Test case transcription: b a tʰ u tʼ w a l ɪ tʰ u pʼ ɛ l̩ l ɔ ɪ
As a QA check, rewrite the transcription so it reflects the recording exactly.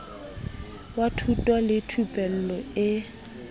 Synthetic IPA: w a tʰ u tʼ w a l ɪ tʰ u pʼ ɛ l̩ l ɔ ɪ